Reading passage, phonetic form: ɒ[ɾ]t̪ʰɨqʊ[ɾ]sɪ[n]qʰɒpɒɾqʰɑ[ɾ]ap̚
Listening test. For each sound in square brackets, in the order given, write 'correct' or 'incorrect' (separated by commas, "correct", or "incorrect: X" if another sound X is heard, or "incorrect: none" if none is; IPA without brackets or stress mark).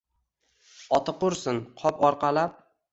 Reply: incorrect: none, correct, correct, incorrect: l